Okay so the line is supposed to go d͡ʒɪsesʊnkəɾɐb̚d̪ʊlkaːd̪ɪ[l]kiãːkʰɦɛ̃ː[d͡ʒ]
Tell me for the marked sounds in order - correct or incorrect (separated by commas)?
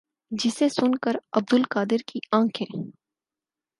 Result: incorrect, incorrect